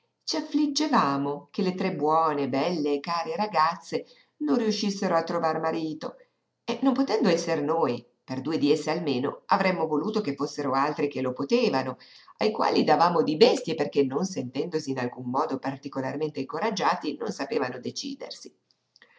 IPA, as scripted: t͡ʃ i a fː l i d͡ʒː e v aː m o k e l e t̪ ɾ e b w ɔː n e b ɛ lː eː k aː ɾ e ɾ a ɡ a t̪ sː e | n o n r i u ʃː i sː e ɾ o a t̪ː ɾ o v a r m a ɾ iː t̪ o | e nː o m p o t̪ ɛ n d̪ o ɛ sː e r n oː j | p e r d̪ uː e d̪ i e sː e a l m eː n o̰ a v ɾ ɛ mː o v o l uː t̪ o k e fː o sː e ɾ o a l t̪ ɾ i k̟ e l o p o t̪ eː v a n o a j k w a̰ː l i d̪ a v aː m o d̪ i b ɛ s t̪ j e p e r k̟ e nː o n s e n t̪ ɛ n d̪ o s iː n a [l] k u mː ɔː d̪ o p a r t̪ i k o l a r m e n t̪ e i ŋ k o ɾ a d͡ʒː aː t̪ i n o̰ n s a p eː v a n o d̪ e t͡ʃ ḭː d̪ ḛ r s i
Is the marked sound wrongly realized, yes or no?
no